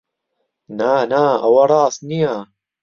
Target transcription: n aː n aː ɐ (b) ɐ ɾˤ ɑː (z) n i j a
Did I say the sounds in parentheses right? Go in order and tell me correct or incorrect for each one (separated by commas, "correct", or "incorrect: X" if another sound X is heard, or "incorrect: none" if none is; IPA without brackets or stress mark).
incorrect: w, incorrect: s